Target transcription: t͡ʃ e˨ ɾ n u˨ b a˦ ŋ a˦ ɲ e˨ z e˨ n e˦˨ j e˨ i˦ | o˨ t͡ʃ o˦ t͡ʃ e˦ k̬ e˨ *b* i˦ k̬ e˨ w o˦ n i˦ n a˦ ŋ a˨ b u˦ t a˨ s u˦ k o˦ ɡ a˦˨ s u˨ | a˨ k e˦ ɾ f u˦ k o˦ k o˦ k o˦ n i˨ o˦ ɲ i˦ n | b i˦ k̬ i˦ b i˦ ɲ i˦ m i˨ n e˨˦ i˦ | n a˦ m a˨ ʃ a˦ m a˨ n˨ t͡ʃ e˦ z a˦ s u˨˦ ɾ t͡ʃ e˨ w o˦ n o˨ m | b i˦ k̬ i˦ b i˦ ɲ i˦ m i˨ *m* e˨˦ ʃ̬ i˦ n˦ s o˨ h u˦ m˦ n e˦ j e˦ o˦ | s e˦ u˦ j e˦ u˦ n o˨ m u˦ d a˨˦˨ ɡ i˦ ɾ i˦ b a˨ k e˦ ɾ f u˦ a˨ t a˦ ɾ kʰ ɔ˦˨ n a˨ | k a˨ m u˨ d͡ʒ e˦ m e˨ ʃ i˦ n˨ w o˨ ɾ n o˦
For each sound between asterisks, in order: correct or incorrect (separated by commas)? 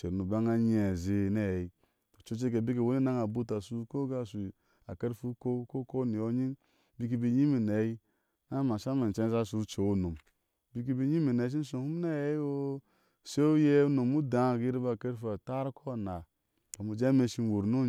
correct, incorrect